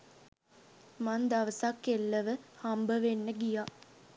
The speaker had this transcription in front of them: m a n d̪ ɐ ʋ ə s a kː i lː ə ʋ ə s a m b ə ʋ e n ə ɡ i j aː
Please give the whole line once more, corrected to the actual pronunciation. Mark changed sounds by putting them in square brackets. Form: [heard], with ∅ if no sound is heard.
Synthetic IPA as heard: m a n d̪ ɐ ʋ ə s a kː [e] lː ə ʋ ə [h] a m b ə ʋ e [nː] ə ɡ i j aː